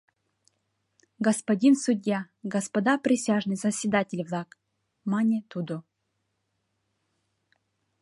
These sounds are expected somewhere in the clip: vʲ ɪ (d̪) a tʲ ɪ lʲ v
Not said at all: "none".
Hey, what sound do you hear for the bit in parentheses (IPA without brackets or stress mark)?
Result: d̪